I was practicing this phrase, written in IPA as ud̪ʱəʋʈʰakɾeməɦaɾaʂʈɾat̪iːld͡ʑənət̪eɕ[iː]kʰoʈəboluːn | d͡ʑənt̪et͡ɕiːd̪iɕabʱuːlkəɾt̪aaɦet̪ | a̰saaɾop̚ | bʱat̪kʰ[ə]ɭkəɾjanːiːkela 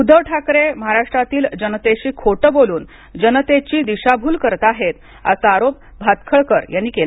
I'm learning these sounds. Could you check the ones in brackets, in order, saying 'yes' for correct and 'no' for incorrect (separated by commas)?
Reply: yes, yes